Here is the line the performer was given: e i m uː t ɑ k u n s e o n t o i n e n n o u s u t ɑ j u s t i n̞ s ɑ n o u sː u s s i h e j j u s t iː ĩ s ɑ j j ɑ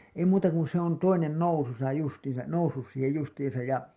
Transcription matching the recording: e i m uː t ɑ k u n s e o n t o i n e n n o u s u s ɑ j u s t iː n̞ s ɑ n o u sː u s s iː h e j j u s t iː ĩ s ɑ j j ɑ